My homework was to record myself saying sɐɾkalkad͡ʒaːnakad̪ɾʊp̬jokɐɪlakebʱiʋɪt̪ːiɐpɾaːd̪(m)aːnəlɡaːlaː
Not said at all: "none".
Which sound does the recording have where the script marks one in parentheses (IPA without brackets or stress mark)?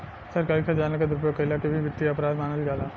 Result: m